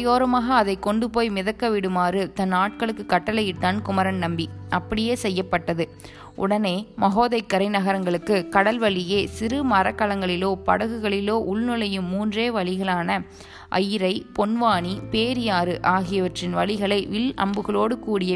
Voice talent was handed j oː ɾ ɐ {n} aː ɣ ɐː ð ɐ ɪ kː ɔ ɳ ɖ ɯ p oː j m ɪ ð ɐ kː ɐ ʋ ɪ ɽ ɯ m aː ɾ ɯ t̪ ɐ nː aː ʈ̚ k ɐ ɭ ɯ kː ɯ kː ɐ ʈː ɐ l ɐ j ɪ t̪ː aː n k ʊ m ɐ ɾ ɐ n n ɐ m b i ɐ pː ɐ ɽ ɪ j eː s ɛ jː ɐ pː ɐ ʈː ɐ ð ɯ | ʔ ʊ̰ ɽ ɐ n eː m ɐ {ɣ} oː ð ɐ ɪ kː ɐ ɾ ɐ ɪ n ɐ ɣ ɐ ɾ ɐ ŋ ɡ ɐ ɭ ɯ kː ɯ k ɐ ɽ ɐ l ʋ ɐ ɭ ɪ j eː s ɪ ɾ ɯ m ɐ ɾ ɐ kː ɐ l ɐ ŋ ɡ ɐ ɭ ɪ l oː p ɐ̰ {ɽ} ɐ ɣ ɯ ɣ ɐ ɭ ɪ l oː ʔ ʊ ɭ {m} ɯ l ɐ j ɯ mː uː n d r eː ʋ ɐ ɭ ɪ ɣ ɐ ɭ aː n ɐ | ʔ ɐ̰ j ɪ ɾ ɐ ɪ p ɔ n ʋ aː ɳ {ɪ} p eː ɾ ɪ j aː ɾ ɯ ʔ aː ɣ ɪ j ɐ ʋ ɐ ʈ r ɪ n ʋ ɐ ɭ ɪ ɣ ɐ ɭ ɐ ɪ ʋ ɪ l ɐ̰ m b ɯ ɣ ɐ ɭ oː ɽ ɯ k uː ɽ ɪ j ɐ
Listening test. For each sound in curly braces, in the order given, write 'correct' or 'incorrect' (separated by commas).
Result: incorrect, correct, correct, incorrect, incorrect